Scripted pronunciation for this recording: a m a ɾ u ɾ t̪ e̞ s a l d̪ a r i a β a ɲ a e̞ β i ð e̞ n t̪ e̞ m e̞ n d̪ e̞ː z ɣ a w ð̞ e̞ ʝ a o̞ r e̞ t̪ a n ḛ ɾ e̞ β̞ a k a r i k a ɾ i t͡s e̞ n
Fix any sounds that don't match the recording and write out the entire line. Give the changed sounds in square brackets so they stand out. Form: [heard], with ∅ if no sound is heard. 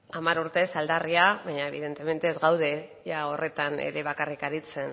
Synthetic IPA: a m a ɾ u ɾ t̪ e̞ s a l d̪ a r i a β a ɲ a e̞ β i ð e̞ n t̪ e̞ m e̞ n [t̪] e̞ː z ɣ a w ð̞ e̞ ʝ a o̞ r e̞ t̪ a n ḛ ɾ e̞ β̞ a k a r i k a ɾ i t͡s e̞ n